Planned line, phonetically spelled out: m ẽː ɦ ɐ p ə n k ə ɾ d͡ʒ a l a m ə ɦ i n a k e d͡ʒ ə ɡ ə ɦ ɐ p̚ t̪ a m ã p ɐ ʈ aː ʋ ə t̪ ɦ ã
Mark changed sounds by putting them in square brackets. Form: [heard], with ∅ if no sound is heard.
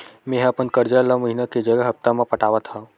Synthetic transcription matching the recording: m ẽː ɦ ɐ p ə n k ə ɾ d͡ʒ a l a m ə ɦ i n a k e d͡ʒ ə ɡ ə ɦ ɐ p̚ t̪ a m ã p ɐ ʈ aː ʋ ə t̪ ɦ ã